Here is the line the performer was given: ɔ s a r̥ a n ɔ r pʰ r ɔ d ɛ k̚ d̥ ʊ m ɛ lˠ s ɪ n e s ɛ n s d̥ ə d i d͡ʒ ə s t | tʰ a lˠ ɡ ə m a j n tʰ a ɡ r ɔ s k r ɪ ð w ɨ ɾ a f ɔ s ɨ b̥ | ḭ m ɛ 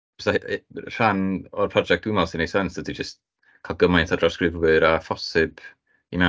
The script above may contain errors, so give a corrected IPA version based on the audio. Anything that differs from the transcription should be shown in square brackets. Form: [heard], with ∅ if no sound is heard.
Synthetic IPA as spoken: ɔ s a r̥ a n ɔ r pʰ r ɔ [d͡ʒ] ɛ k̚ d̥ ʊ m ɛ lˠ s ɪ n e s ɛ n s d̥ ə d i d͡ʒ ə s t | [kʰ] a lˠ ɡ ə m a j n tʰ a [d] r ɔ s k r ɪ [v] w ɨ ɾ a f ɔ s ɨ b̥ | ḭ m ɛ